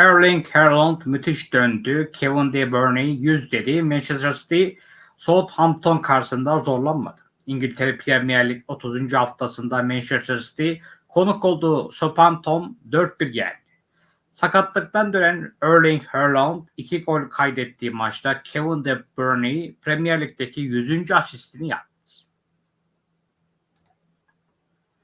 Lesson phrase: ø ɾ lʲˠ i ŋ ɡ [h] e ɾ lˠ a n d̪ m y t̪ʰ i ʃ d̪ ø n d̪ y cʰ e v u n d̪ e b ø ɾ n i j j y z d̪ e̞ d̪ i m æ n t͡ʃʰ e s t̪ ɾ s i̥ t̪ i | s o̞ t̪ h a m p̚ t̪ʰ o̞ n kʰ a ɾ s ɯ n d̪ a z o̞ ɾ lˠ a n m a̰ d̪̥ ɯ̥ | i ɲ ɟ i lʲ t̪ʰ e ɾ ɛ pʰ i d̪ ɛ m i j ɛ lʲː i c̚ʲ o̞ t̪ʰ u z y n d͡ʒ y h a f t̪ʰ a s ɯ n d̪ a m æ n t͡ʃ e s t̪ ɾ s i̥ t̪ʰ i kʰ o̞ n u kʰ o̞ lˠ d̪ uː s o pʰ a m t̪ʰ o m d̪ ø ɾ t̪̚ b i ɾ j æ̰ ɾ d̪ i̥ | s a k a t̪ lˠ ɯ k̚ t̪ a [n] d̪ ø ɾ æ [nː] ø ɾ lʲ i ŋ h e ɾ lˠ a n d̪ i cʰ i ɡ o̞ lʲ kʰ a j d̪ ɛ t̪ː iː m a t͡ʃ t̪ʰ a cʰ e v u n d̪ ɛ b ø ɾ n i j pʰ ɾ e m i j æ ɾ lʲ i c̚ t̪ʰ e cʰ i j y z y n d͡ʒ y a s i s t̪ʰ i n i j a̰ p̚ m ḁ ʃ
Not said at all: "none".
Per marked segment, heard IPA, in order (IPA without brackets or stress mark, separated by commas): h, n, n